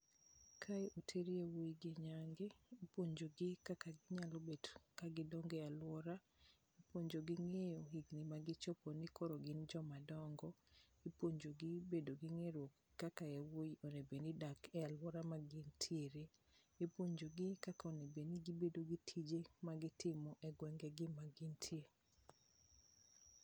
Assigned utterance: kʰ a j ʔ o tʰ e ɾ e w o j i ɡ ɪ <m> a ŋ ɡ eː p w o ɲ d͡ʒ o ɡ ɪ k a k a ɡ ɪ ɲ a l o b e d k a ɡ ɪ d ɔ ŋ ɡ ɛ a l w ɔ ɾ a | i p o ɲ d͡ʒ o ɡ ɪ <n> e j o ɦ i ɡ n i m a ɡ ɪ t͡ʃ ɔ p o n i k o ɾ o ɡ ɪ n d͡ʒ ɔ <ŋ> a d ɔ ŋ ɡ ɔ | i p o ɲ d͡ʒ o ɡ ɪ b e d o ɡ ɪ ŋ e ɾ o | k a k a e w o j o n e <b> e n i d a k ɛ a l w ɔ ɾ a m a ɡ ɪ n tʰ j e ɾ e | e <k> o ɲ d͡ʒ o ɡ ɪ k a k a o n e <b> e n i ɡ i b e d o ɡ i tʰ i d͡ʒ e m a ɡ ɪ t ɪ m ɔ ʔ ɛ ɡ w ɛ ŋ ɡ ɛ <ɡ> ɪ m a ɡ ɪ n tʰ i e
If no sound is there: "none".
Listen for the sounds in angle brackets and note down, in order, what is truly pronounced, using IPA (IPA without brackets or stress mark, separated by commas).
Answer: ɲ, ŋ, m, b, p, b, ɡ